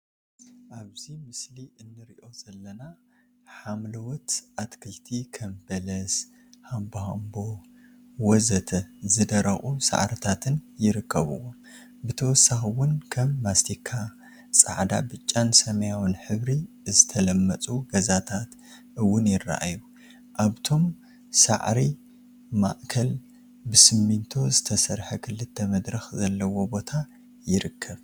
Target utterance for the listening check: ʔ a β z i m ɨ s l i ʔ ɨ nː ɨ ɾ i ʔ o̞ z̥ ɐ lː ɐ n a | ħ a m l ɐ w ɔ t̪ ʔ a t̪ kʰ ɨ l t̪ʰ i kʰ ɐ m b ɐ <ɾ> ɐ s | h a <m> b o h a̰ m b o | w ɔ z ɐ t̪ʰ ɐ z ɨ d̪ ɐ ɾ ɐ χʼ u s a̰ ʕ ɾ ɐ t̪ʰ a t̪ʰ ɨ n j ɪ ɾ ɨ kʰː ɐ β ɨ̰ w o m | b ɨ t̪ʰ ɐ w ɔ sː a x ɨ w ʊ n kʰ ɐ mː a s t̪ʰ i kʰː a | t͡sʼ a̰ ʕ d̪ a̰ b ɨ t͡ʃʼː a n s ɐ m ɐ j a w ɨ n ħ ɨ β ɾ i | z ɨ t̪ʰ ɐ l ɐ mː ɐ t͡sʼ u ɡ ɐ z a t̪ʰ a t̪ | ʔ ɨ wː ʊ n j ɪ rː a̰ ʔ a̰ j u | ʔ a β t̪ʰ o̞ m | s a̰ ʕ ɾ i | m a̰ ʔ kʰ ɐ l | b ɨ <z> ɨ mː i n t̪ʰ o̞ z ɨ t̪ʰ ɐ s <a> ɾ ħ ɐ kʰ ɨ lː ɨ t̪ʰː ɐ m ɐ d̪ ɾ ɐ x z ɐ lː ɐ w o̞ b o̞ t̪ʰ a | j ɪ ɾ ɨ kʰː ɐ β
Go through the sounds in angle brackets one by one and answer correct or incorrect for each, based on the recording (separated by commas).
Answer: incorrect, correct, incorrect, incorrect